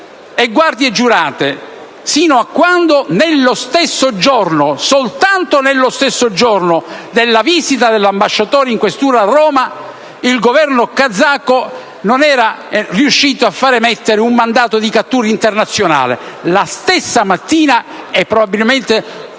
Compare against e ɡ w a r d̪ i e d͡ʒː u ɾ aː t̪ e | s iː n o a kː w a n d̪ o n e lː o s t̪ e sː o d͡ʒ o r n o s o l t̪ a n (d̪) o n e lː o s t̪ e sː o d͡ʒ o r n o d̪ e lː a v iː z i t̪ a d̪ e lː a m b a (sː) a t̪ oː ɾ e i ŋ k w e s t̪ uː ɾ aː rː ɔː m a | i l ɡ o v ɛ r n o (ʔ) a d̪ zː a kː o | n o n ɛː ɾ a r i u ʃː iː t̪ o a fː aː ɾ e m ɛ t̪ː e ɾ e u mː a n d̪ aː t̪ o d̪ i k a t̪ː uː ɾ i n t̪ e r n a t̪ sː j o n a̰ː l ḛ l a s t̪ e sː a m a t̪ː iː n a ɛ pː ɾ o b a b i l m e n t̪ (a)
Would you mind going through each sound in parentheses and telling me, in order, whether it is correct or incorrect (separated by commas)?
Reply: incorrect, incorrect, incorrect, incorrect